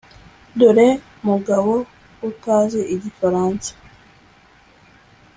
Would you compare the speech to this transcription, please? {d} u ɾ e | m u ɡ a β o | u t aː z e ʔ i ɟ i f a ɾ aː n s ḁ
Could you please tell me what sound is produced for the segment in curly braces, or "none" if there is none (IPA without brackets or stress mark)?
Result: d